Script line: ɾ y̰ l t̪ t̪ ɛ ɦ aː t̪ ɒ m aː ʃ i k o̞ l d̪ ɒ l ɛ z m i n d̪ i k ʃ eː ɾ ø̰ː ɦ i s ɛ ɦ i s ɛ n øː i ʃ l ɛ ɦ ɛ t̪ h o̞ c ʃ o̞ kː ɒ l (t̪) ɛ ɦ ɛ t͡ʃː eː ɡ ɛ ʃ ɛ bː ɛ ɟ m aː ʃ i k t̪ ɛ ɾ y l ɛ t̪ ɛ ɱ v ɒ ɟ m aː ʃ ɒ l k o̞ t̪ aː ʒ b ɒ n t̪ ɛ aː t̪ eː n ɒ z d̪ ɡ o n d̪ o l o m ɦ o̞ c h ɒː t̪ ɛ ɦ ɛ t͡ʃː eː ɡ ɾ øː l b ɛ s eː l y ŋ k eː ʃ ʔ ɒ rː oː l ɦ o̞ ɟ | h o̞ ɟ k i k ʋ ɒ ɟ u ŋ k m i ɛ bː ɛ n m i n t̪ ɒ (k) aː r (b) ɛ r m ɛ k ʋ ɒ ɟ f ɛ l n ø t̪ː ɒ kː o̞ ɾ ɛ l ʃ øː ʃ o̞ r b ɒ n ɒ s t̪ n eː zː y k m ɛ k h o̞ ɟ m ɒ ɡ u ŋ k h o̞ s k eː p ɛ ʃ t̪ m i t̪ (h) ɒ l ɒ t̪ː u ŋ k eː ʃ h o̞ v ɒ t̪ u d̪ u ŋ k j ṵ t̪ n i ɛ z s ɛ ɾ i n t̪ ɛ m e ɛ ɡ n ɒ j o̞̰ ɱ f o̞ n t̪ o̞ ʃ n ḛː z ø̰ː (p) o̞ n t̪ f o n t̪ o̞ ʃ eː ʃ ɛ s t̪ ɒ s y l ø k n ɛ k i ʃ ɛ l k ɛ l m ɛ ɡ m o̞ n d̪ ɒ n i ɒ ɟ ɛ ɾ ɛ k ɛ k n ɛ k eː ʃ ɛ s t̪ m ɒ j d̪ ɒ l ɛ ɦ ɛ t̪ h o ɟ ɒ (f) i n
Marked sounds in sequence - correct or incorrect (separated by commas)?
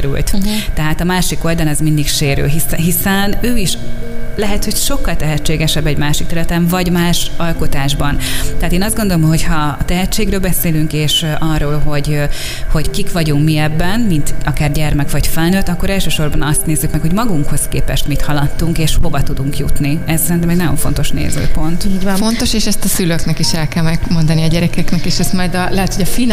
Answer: correct, correct, incorrect, correct, correct, correct